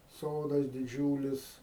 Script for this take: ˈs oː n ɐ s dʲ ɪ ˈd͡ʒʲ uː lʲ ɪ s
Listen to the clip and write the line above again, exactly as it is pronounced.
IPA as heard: ˈs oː d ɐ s dʲ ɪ ˈd͡ʒʲ uː lʲ ɪ s